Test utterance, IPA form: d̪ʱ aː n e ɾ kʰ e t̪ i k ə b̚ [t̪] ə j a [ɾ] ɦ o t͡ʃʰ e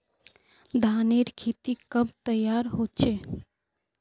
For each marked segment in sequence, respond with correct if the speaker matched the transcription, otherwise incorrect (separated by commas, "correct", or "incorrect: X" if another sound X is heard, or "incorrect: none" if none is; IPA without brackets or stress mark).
correct, correct